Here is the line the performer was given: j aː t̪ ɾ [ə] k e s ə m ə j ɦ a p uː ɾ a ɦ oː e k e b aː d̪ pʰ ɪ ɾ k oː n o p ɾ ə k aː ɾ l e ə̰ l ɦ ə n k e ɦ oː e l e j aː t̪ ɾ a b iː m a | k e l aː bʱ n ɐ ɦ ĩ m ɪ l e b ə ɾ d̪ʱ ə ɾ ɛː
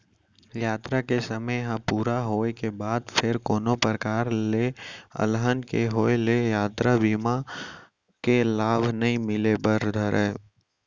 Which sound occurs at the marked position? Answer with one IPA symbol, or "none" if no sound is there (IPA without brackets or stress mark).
a